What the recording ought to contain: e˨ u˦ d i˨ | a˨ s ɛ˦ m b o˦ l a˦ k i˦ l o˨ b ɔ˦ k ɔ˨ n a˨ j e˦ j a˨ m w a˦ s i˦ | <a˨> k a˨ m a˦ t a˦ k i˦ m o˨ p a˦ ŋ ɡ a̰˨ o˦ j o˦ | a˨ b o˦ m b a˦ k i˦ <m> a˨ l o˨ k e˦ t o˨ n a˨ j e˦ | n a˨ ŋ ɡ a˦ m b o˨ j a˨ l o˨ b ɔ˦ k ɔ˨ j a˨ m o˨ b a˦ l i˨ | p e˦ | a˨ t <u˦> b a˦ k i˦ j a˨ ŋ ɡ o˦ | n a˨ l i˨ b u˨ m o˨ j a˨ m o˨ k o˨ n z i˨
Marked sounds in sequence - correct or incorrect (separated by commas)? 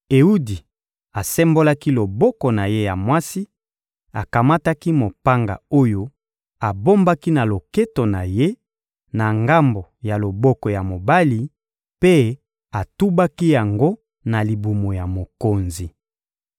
correct, incorrect, correct